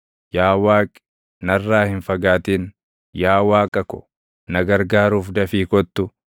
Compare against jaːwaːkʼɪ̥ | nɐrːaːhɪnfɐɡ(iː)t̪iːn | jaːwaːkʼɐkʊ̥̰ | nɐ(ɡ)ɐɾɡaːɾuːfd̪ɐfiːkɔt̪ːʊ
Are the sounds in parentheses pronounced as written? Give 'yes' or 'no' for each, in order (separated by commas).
no, yes